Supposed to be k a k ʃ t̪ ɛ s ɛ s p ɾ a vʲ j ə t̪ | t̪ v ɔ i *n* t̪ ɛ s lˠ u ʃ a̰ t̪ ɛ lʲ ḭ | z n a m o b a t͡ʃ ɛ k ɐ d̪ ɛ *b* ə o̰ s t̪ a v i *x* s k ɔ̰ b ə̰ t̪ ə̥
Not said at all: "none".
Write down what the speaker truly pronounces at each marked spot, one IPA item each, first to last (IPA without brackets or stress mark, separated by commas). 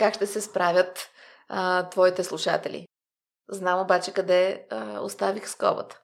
none, none, x